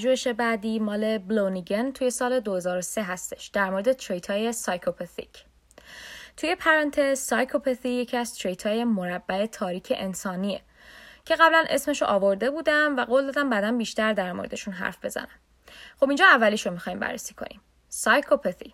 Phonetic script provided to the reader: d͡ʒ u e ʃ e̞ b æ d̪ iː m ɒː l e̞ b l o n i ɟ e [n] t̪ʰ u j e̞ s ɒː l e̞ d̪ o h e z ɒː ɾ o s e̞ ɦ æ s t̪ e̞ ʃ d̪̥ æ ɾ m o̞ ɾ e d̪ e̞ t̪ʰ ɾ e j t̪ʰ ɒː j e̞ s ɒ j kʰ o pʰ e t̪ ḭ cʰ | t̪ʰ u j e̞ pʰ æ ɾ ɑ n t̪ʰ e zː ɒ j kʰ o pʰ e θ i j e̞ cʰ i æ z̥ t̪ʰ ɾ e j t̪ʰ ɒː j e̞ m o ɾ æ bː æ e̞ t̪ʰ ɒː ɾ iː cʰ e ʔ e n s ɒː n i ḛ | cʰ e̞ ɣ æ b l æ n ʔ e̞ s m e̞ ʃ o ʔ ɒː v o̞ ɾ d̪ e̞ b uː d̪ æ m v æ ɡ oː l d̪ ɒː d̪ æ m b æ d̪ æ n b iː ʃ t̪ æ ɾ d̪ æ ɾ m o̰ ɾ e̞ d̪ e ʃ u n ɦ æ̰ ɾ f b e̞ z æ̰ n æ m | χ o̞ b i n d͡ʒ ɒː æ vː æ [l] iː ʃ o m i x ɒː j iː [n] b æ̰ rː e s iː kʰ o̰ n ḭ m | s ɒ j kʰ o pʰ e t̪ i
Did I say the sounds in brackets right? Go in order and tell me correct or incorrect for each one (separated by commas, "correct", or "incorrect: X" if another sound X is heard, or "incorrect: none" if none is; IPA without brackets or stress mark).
correct, correct, incorrect: m